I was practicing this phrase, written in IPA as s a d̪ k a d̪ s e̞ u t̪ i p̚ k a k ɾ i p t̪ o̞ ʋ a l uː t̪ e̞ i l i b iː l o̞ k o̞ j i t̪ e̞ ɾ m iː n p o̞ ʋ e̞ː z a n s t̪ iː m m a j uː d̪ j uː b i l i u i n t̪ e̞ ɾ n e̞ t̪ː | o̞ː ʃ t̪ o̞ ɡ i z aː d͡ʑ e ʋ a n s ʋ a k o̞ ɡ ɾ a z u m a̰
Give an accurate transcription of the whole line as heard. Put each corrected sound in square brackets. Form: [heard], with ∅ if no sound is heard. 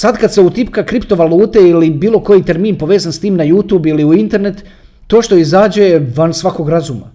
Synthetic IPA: s a d̪ k a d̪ s e̞ u t̪ i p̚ k a k ɾ i p t̪ o̞ ʋ a l uː t̪ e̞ i l i b iː l o̞ k o̞ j i t̪ e̞ ɾ m iː n p o̞ ʋ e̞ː z a n s t̪ iː m [n] a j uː [t̪] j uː b i l i u i n t̪ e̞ ɾ n e̞ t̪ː | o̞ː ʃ t̪ o̞ [∅] i z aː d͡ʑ e ʋ a n s ʋ a k o̞ ɡ ɾ a z u m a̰